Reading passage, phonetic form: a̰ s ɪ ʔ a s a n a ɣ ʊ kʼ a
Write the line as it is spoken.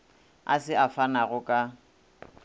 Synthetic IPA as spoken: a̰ s ɪ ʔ a f a n a ɣ ʊ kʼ a

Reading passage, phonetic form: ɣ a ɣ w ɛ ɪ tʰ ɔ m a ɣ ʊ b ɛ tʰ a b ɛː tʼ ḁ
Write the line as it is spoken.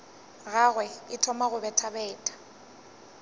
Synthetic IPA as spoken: ɣ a ɣ w ɛ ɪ tʰ ɔ m a ɣ ʊ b ɛ tʰ a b ɛː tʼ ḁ

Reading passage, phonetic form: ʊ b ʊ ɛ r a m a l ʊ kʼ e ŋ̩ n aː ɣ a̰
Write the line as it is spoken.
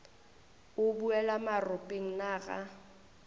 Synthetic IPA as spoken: ʊ b u ɛ l a m a r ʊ pʼ e ŋ̩ n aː ɣ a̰

